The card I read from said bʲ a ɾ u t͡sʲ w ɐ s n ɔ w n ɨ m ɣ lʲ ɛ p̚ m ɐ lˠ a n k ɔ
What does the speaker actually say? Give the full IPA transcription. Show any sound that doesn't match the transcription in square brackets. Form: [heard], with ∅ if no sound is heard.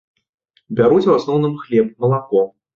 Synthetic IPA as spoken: bʲ a ɾ u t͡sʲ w [a] s n ɔ w n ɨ m [x] lʲ ɛ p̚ m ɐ lˠ a [∅] k ɔ